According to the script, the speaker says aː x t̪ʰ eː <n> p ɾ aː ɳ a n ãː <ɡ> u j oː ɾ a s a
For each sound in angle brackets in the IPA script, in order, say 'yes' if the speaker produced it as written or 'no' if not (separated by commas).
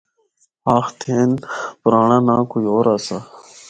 yes, no